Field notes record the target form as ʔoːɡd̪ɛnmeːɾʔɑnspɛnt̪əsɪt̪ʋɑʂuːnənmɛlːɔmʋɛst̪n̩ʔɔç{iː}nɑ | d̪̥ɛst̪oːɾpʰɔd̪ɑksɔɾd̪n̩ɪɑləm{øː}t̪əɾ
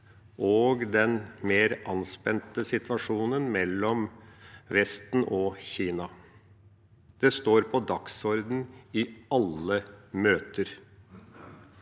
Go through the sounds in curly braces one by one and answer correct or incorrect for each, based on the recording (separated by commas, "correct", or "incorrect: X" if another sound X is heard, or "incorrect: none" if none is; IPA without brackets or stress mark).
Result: correct, correct